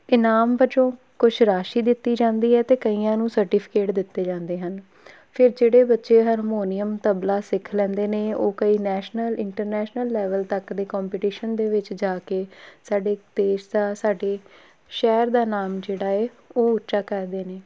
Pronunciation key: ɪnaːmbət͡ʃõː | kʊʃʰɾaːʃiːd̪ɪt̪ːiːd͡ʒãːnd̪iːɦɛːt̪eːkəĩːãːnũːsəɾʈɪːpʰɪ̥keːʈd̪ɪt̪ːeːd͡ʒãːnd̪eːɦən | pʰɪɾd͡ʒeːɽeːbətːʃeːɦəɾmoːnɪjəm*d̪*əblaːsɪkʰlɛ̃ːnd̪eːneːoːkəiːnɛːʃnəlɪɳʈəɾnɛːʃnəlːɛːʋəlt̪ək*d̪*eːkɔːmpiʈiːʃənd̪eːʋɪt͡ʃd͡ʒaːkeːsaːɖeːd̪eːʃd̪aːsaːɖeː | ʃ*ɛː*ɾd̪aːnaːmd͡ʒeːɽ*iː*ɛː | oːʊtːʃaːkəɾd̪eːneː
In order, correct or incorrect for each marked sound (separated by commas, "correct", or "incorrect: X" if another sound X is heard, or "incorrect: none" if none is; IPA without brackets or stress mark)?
incorrect: t̪, correct, correct, incorrect: aː